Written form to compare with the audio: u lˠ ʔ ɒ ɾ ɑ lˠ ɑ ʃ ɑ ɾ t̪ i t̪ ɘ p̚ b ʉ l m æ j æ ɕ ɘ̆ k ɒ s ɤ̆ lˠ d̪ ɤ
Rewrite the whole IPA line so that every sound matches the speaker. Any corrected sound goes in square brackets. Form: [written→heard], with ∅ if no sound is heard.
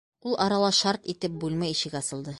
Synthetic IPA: u lˠ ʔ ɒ ɾ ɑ lˠ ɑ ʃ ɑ ɾ t̪ i t̪ ɘ p̚ b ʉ l m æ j [æ→i] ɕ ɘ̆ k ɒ s ɤ̆ lˠ d̪ ɤ

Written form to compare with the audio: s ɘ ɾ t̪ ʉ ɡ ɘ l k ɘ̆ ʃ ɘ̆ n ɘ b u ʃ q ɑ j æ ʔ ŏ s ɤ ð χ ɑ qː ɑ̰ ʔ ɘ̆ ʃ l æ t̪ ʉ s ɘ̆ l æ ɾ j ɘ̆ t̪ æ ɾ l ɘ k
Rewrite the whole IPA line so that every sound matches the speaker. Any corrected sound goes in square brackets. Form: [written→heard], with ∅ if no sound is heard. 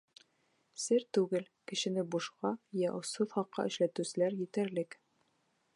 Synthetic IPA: s ɘ ɾ t̪ ʉ ɡ ɘ l k ɘ̆ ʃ ɘ̆ n ɘ b u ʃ q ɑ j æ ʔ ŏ s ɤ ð χ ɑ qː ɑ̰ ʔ ɘ̆ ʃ l æ t̪ ʉ s ɘ̆ l æ ɾ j ɘ̆ t̪ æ ɾ l ɘ k

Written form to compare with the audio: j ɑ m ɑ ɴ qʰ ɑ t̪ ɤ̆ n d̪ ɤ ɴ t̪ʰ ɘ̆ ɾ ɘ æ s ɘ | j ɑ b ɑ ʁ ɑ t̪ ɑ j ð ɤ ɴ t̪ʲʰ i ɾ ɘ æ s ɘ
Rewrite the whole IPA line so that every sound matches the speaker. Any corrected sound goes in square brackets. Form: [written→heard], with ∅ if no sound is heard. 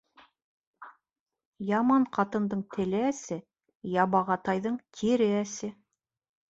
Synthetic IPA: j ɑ m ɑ ɴ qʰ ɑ t̪ ɤ̆ n d̪ ɤ ɴ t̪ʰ ɘ̆ [ɾ→l] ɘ æ s ɘ | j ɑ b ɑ ʁ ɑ t̪ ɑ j ð ɤ ɴ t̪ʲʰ i ɾ ɘ æ s ɘ

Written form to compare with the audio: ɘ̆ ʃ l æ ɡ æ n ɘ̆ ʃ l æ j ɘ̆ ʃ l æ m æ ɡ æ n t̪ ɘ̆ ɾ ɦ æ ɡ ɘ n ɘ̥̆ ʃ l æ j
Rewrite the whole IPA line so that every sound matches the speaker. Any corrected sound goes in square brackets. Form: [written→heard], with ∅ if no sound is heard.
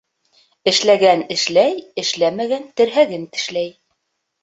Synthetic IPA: ɘ̆ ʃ l æ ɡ æ n ɘ̆ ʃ l æ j ɘ̆ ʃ l æ m æ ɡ æ n t̪ ɘ̆ ɾ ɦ æ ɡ ɘ n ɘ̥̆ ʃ l æ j

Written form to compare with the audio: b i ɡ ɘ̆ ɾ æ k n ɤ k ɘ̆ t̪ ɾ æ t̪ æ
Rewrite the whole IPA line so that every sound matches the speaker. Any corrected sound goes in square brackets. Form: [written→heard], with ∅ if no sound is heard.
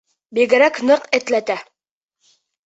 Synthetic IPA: b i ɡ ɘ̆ ɾ æ k n ɤ [k→q] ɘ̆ t̪ [ɾ→l] æ t̪ æ

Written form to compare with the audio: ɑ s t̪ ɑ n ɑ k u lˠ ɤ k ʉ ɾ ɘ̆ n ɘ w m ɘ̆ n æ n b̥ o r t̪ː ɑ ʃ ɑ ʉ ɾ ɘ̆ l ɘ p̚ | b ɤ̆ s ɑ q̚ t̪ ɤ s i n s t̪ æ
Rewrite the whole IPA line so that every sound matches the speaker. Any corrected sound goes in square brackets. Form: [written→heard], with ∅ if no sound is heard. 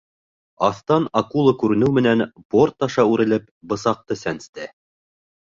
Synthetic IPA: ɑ [s→θ] t̪ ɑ n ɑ k u lˠ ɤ k ʉ ɾ ɘ̆ n ɘ w m ɘ̆ n æ n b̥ o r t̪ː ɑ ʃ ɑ ʉ ɾ ɘ̆ l ɘ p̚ | b ɤ̆ s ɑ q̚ t̪ ɤ s [i→æ] n s t̪ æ

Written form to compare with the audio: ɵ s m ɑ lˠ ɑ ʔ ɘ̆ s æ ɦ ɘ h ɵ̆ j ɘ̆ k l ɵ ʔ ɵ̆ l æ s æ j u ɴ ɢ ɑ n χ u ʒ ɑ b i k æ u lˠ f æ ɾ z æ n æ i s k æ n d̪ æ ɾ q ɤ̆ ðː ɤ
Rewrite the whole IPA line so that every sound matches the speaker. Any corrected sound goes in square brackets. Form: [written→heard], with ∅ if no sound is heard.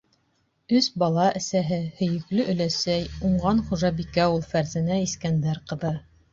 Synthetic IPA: ɵ s [m→b] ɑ lˠ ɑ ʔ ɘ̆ s æ ɦ ɘ h ɵ̆ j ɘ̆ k l ɵ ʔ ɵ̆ l æ s æ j u ɴ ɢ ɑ n χ u ʒ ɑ b i k æ u lˠ f æ ɾ z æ n æ i s k æ n d̪ æ ɾ q ɤ̆ [ðː→ð] ɤ

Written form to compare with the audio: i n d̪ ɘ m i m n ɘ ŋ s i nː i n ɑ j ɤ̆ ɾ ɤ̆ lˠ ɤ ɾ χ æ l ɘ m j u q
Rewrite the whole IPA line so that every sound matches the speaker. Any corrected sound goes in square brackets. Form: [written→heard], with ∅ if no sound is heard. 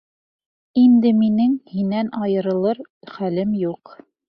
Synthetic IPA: i n d̪ ɘ m i [m→∅] n ɘ ŋ [s→h] i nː [i→æ] n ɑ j ɤ̆ ɾ ɤ̆ lˠ ɤ ɾ χ æ l ɘ m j u q

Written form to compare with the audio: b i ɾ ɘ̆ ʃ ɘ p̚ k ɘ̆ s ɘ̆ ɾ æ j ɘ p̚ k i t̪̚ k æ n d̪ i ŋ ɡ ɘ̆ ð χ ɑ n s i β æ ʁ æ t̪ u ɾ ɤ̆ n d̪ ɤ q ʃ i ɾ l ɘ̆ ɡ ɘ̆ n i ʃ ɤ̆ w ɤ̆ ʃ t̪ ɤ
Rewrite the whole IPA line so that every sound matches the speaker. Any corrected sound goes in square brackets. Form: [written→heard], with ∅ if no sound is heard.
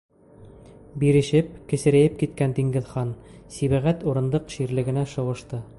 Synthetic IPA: b i ɾ ɘ̆ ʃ ɘ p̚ k ɘ̆ s ɘ̆ ɾ æ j ɘ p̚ k i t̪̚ k æ n d̪ i ŋ ɡ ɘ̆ ð χ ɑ n s i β æ ʁ æ t̪ u ɾ ɤ̆ n d̪ ɤ q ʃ i ɾ l ɘ̆ ɡ ɘ̆ n [i→æ] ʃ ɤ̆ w ɤ̆ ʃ t̪ ɤ

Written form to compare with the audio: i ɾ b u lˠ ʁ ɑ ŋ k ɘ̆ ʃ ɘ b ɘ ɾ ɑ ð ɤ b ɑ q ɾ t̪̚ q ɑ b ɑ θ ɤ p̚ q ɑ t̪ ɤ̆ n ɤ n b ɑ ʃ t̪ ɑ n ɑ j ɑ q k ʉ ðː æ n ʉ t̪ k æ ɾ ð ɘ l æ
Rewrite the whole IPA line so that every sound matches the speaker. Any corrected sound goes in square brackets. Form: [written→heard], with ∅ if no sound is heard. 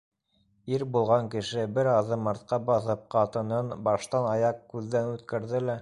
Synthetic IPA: i ɾ b u lˠ ʁ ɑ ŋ k ɘ̆ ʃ ɘ b ɘ ɾ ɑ ð ɤ [b→m] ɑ [q→∅] ɾ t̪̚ q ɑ b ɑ θ ɤ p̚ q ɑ t̪ ɤ̆ n ɤ n b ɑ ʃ t̪ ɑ n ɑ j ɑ q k ʉ ðː æ n ʉ t̪ k æ ɾ ð ɘ l æ

